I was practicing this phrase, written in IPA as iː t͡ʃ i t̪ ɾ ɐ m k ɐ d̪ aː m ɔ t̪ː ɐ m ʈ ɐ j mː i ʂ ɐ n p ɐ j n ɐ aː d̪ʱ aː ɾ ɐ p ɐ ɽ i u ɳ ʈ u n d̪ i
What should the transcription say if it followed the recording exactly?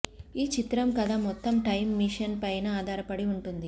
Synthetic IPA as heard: iː t͡ʃ i t̪ ɾ ɐ m k ɐ d̪ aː m ɔ t̪ː ɐ m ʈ ɐ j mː i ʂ ɐ n p ɐ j n ɐ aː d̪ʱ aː ɾ ɐ p ɐ ɽ i u ɳ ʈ u n d̪ i

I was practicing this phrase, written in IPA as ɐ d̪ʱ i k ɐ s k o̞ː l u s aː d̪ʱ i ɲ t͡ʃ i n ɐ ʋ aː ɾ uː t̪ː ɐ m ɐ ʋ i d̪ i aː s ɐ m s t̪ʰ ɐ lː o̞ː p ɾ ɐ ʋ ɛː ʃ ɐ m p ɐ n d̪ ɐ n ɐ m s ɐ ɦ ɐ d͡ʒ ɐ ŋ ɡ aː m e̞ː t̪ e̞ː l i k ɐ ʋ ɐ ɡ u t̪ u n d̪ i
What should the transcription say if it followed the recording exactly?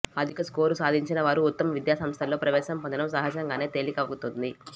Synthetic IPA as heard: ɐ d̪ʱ i k ɐ s k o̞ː ɾ u s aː d̪ʱ i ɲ t͡ʃ i n ɐ ʋ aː ɾ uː t̪ː ɐ m ɐ ʋ i d̪ j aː s ɐ m s t̪ʰ ɐ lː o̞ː p ɾ ɐ ʋ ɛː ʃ ɐ m p ɐ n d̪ ɐ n ɐ m s ɐ ɦ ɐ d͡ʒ ɐ ŋ ɡ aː n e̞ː t̪ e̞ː l i k ɐ ʋ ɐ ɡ u t̪ u n d̪ i

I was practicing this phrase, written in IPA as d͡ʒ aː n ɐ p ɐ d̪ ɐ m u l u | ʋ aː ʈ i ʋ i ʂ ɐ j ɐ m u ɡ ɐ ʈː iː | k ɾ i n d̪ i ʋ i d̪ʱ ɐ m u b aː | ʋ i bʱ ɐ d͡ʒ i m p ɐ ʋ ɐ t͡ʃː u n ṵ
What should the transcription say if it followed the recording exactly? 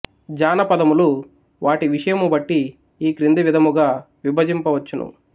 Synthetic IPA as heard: d͡ʒ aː n ɐ p ɐ d̪ ɐ m u l u | ʋ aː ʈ i ʋ i ʂ ɐ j ɐ m u b ɐ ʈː iː | k ɾ i n d̪ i ʋ i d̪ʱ ɐ m u ɡ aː | ʋ i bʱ ɐ d͡ʒ i m p ɐ ʋ ɐ t͡ʃː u n ṵ

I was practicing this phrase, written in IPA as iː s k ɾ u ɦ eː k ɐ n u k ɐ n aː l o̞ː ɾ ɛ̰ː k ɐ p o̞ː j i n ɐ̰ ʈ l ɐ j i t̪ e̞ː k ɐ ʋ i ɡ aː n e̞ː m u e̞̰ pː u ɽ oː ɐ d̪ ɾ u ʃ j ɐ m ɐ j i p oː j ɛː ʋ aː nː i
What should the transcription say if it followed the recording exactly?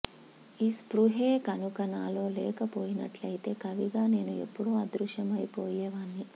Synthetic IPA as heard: iː s p ɾ u ɦ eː k ɐ n u k ɐ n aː l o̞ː l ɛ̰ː k ɐ p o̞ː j i n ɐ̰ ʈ l ɐ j i t̪ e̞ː k ɐ ʋ i ɡ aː n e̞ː n u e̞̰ pː u ɽ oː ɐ d̪ ɾ u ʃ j ɐ m ɐ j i p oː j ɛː ʋ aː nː i

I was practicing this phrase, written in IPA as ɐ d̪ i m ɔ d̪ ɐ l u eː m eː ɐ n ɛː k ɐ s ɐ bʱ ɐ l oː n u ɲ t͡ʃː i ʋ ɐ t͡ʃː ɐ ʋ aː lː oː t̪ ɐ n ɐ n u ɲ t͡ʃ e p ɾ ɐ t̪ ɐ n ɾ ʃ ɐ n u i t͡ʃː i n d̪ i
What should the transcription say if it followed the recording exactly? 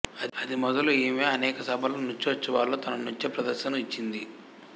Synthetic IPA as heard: ɐ d̪ i m ɔ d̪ ɐ l u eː m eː ɐ n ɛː k ɐ s ɐ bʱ ɐ l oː n u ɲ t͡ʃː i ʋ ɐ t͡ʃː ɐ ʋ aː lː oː t̪ ɐ n ɐ n u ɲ t͡ʃ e p ɾ ɐ d̪ ɐ ɾ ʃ ɐ n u i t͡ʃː i n d̪ i

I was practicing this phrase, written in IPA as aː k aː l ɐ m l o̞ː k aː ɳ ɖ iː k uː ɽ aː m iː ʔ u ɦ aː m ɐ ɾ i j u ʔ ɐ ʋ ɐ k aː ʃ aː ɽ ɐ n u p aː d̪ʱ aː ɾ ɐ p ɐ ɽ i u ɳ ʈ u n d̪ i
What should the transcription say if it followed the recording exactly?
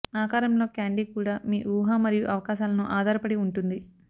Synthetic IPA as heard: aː k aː ɾ ɐ m l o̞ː k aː ɳ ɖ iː k uː ɽ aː m iː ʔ uː ɦ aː m ɐ ɾ i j u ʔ ɐ ʋ ɐ k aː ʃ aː l ɐ n u ʔ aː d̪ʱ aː ɾ ɐ p ɐ ɽ i u ɳ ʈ u n d̪ i

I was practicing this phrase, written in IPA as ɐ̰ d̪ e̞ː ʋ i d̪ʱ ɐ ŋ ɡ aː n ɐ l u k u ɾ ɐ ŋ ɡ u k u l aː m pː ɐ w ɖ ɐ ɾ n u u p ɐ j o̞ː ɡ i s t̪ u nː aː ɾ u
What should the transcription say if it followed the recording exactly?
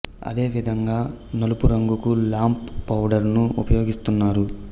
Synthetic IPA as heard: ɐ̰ d̪ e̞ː ʋ i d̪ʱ ɐ ŋ ɡ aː n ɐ l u p u ɾ ɐ ŋ ɡ u k u l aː m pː ɐ w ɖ ɐ ɾ n u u p ɐ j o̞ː ɡ i s t̪ u nː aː ɾ u

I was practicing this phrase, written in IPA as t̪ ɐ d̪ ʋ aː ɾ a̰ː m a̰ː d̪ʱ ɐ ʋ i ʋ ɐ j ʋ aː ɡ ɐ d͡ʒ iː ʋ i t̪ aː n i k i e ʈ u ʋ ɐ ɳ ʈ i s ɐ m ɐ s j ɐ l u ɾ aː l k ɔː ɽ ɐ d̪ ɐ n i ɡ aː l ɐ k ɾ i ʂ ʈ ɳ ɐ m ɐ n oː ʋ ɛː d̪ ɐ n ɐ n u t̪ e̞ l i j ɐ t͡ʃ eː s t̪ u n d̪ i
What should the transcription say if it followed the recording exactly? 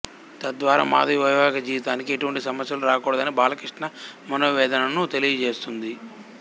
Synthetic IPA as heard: t̪ ɐ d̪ ʋ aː ɾ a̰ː m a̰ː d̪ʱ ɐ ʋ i ʋ ɐ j ʋ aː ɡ ɐ d͡ʒ iː ʋ i t̪ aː n i k i e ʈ u ʋ ɐ ɳ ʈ i s ɐ m ɐ s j ɐ l u ɾ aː k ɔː ɽ ɐ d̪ ɐ n i b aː l ɐ k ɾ i ʂ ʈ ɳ ɐ m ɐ n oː ʋ ɛː d̪ ɐ n ɐ n u t̪ e̞ l i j ɐ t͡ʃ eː s t̪ u n d̪ i

